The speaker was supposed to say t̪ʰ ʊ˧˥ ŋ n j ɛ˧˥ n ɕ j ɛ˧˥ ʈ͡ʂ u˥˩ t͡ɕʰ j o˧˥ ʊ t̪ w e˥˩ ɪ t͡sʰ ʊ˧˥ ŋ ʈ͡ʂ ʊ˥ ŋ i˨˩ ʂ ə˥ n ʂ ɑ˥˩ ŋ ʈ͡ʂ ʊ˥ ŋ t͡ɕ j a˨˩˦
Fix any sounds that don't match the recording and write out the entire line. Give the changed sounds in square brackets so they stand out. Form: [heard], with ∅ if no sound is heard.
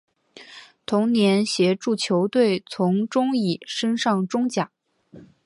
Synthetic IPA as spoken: t̪ʰ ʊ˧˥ ŋ n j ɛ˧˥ n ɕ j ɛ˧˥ ʈ͡ʂ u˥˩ t͡ɕʰ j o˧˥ ʊ t̪ w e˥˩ ɪ t͡sʰ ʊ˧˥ ŋ ʈ͡ʂ ʊ˥ ŋ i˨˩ ʂ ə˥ n ʂ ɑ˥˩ ŋ ʈ͡ʂ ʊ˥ ŋ t͡ɕ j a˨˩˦